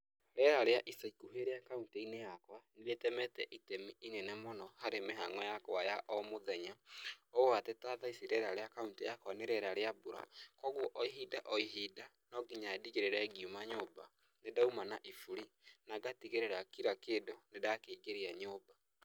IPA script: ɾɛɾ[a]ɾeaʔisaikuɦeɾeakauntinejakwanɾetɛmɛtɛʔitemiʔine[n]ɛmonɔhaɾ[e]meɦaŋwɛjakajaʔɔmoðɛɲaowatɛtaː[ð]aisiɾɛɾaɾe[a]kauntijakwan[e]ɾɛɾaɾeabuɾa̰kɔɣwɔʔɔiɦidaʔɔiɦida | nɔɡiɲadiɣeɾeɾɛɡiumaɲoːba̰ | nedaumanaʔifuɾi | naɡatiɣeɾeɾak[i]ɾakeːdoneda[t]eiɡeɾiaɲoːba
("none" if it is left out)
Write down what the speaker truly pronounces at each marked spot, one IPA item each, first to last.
a, n, e, ð, a, e, i, k

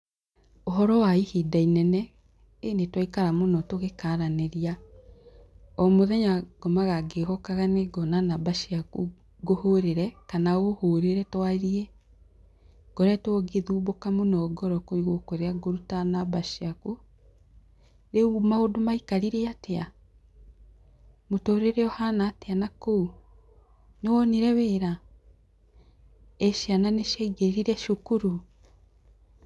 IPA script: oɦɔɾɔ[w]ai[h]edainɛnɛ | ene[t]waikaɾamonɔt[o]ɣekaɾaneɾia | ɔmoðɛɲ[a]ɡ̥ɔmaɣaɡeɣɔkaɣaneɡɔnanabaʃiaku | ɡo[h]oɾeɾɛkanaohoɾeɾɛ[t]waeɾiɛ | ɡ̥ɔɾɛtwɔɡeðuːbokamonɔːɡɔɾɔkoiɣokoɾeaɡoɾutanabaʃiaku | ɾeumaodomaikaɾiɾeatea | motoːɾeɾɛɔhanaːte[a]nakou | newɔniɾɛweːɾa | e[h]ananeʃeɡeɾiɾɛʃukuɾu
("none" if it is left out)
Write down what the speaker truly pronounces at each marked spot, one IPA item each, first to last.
w, h, t, o, a, h, t, a, ʃ

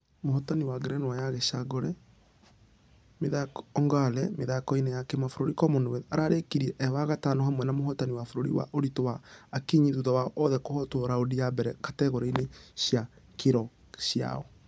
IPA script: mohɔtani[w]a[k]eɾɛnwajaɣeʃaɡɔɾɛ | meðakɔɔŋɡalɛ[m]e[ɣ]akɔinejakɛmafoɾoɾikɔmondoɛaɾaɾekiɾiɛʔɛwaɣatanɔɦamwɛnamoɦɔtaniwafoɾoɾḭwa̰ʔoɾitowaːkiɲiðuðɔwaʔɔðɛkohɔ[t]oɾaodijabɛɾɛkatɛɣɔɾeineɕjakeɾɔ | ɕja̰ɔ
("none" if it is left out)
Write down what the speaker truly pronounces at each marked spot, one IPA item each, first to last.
w, ɡ, m, ð, t

